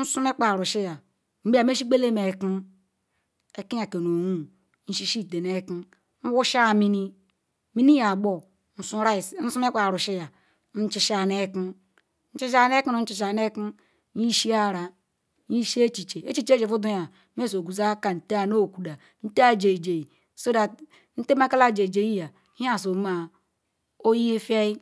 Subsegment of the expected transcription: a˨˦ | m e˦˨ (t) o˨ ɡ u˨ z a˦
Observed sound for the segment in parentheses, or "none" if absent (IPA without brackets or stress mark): s